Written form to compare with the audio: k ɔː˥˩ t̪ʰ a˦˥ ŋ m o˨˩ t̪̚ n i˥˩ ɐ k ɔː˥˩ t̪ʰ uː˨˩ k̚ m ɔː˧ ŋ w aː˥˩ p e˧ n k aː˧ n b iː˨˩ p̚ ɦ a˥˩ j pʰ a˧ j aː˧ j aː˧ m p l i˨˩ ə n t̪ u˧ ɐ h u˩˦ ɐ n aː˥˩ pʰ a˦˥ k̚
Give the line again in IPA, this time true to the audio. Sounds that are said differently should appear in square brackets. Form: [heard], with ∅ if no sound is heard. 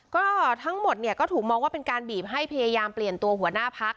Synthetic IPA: k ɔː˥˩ t̪ʰ a˦˥ ŋ m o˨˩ t̪̚ n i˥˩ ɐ k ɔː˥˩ t̪ʰ uː˨˩ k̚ m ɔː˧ ŋ w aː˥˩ p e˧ n k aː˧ n b iː˨˩ p̚ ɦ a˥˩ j pʰ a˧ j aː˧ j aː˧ m p l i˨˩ ə n t̪ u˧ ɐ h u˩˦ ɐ n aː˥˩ pʰ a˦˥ k̚